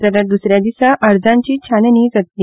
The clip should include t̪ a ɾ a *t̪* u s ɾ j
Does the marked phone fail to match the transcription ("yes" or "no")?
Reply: yes